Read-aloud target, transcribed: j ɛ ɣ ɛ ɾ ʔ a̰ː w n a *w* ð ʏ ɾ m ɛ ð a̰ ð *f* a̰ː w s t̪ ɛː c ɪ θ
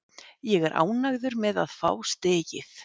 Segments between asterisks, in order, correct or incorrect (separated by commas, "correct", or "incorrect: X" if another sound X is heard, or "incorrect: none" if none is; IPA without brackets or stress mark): incorrect: ɣ, correct